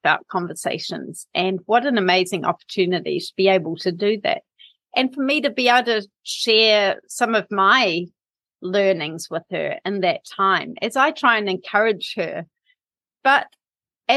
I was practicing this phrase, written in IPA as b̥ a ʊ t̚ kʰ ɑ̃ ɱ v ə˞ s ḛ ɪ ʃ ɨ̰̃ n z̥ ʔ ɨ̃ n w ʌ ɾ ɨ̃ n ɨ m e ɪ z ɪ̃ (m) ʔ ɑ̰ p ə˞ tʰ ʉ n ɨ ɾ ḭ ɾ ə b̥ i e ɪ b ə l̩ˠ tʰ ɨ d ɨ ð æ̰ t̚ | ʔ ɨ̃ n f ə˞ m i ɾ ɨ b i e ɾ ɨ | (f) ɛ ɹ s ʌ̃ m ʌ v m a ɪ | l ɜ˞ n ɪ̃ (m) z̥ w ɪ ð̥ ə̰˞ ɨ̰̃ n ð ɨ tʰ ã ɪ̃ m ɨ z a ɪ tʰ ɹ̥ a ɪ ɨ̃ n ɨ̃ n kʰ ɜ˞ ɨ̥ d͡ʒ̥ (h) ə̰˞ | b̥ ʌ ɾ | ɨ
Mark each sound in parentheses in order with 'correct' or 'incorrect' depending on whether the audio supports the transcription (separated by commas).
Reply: incorrect, incorrect, incorrect, correct